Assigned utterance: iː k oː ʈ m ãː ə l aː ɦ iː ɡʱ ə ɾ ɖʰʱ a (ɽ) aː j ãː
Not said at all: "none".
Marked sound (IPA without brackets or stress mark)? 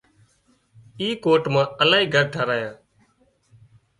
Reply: ɾ